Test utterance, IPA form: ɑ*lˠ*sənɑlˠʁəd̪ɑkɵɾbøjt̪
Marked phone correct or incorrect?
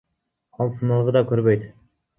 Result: correct